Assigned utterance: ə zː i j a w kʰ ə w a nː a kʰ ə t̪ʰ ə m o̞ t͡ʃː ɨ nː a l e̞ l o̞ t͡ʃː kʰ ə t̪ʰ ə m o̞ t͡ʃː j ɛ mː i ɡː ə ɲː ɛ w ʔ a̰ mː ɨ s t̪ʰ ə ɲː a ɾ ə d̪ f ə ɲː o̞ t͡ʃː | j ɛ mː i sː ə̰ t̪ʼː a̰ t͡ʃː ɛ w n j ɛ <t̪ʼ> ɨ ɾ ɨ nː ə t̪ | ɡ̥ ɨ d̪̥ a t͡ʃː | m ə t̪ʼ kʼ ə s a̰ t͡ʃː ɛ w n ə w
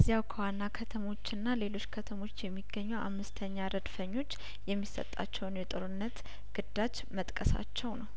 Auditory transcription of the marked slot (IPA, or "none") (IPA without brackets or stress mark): t̪ʼ